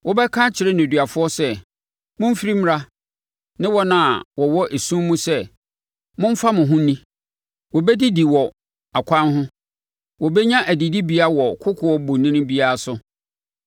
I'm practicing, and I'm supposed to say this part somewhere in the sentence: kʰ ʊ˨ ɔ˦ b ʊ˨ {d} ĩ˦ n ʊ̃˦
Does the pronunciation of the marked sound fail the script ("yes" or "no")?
yes